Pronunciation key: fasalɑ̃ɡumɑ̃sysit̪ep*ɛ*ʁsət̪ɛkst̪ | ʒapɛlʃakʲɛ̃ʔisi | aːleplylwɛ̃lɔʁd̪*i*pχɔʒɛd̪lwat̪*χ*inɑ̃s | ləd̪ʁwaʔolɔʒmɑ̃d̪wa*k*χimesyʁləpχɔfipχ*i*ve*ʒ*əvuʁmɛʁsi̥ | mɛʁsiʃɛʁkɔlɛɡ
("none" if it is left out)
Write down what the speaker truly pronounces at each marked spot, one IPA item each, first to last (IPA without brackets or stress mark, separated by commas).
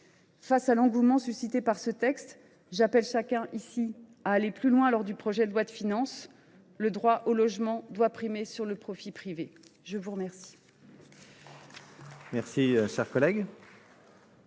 a, y, f, p, i, ʒ